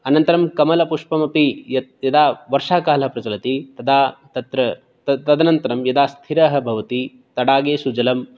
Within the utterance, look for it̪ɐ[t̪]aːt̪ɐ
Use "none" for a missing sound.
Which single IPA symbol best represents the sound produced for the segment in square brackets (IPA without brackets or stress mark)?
d̪